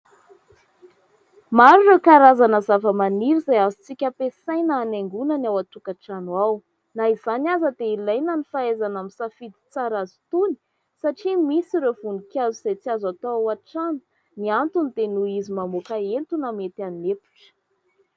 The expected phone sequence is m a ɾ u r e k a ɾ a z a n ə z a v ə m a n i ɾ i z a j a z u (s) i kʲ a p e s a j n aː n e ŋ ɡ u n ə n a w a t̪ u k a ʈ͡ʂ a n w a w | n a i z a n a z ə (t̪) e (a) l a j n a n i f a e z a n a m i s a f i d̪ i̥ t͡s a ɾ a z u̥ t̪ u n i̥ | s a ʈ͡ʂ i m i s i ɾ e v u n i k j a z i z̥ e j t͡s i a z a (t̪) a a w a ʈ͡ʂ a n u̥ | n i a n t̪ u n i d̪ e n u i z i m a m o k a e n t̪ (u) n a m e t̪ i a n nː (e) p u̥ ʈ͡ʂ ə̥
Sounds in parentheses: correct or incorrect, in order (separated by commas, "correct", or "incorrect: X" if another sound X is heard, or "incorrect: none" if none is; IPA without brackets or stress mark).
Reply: incorrect: t͡s, incorrect: d̪, incorrect: i, correct, correct, correct